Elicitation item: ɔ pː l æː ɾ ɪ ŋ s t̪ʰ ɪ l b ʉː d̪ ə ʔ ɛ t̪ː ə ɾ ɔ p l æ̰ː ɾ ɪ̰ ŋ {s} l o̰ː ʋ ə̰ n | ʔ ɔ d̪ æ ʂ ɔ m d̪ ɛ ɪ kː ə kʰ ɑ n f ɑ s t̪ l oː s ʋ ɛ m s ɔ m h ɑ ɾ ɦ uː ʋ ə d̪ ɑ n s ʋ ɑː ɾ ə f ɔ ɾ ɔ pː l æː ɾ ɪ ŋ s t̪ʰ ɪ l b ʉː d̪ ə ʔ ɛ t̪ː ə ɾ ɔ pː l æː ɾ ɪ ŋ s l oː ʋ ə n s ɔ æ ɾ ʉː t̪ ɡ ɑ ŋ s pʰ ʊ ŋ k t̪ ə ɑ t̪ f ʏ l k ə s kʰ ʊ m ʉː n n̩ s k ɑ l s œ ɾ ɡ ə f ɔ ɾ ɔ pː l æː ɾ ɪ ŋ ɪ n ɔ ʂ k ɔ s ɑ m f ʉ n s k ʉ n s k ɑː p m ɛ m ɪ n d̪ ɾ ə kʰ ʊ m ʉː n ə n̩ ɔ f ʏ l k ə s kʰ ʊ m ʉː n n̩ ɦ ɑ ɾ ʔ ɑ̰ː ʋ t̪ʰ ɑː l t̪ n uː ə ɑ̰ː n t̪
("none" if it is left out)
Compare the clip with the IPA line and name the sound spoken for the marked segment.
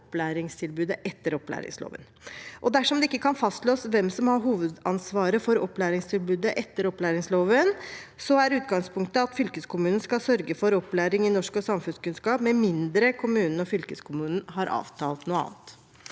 s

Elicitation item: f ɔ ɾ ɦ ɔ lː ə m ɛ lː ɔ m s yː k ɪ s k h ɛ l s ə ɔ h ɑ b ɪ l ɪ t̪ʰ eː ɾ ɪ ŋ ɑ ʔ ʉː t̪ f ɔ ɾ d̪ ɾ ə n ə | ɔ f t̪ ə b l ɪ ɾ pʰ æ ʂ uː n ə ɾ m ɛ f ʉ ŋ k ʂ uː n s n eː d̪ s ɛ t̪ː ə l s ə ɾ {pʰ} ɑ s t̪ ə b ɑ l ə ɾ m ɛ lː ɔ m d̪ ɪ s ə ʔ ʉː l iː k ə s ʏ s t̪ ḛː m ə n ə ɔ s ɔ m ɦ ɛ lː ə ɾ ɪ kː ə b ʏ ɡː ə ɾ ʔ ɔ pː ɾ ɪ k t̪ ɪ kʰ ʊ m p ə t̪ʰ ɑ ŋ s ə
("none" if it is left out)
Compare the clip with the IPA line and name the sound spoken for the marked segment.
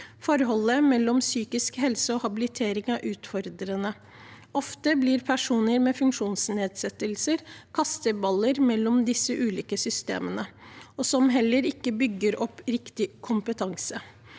kʰ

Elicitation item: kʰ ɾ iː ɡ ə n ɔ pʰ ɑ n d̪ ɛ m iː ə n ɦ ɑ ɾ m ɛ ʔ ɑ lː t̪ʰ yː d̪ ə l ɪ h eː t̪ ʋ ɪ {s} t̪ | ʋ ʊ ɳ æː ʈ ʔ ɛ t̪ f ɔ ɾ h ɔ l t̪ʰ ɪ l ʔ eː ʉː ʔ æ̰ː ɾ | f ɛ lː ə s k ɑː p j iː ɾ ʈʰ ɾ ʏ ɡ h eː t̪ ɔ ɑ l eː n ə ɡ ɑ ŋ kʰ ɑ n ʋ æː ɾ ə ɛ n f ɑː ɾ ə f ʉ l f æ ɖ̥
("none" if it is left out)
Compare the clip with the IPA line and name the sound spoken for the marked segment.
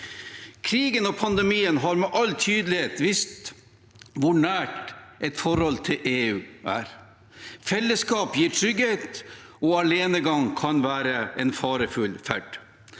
s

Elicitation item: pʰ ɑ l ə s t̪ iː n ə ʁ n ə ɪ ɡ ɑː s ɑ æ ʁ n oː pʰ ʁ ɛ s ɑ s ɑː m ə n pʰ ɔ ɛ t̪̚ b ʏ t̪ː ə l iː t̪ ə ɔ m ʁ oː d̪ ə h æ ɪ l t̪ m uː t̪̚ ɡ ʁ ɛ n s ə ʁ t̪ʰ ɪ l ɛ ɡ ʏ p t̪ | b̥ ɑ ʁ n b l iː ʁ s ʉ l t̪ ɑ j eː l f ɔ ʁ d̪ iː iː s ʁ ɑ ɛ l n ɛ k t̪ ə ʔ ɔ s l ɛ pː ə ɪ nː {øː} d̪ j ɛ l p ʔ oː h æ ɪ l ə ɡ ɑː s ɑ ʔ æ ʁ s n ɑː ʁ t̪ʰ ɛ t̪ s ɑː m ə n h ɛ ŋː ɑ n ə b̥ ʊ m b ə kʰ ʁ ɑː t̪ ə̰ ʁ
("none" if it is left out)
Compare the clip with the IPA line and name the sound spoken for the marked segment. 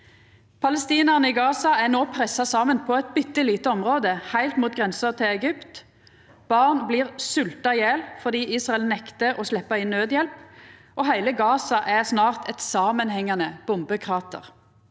øː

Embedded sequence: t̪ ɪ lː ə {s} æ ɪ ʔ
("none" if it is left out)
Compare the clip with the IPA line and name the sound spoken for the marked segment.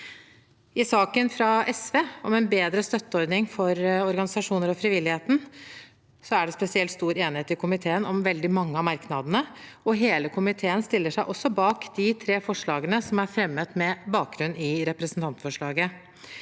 ʂ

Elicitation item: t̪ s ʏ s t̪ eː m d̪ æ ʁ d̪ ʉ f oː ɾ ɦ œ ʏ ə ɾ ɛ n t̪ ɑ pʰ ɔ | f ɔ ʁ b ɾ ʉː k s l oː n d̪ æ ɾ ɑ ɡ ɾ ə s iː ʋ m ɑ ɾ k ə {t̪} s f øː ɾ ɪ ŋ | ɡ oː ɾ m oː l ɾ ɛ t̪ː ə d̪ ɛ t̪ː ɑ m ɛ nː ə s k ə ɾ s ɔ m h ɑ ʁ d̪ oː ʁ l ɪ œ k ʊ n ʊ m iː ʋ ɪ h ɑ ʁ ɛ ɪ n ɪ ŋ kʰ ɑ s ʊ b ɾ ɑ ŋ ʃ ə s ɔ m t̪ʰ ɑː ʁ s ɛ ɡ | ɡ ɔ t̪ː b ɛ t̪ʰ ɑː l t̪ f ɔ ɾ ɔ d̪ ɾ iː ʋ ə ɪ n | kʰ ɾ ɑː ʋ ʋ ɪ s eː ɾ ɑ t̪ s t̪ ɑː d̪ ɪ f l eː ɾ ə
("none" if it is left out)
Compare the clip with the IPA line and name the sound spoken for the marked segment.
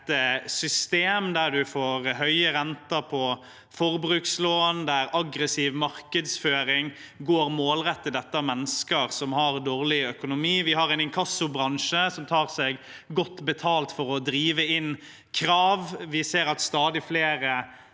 d̪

